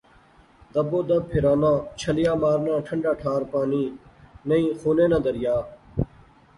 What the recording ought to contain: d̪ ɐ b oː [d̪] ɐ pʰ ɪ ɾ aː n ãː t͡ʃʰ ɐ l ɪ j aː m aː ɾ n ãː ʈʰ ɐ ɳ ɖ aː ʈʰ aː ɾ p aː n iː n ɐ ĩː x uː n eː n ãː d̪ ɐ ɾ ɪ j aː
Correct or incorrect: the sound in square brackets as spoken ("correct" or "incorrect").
correct